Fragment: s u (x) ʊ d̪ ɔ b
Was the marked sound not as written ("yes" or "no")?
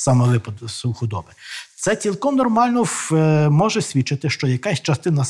no